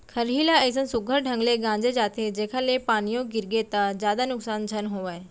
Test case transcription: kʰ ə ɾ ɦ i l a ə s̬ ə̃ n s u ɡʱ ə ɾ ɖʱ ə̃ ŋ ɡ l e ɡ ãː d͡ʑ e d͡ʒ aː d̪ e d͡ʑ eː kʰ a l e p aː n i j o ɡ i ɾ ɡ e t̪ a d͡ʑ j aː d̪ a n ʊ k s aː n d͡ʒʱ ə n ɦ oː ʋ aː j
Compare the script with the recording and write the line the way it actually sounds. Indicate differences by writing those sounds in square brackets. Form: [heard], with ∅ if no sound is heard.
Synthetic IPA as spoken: kʰ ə ɾ ɦ i l a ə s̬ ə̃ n s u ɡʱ ə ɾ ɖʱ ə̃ ŋ ɡ l e ɡ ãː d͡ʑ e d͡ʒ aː [t̪] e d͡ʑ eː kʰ a l e p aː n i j o ɡ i ɾ ɡ e t̪ a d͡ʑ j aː d̪ a n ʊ k s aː n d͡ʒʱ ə n ɦ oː ʋ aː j